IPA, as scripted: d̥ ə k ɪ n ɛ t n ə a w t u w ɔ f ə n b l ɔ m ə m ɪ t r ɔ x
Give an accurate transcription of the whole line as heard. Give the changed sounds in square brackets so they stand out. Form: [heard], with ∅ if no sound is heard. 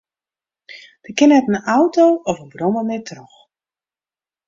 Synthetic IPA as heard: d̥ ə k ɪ n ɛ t n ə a w t [o] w ɔ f ə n b [r] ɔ m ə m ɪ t r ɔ x